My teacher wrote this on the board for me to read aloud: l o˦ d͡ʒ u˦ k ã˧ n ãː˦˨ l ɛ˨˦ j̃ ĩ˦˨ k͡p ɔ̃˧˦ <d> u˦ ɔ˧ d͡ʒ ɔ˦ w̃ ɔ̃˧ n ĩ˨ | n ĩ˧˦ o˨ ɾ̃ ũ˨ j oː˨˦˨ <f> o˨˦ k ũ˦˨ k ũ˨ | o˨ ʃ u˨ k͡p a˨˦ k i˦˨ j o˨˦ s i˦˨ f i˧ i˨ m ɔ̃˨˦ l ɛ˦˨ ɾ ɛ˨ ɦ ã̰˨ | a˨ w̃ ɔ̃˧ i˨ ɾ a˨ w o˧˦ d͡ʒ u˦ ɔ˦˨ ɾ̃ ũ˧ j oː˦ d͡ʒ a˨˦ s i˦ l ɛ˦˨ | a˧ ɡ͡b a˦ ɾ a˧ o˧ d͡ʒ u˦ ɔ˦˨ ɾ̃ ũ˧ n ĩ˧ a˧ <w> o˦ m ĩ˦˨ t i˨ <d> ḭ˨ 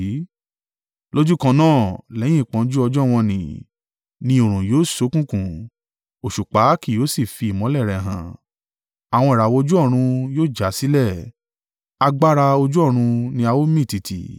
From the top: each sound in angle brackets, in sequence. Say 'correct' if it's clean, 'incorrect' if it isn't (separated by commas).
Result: incorrect, incorrect, correct, incorrect